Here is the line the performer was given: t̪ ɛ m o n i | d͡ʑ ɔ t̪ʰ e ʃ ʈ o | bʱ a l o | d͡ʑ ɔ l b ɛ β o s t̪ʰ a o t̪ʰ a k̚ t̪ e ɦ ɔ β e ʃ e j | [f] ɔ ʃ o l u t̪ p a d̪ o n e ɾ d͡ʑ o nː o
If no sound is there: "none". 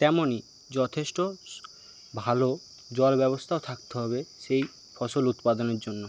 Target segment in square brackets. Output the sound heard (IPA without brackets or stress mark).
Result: f